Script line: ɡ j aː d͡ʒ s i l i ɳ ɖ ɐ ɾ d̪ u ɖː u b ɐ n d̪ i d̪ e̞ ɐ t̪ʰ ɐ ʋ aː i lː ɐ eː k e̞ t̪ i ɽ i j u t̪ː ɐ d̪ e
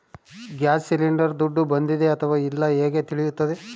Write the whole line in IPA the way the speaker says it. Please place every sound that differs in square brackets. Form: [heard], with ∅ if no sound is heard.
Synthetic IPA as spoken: ɡ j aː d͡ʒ s i l i ɳ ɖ ɐ ɾ d̪ u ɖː u b ɐ n d̪ i d̪ e̞ ɐ t̪ʰ ɐ ʋ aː i lː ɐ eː [ɡ] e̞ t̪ i [ɭ] i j u t̪ː ɐ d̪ e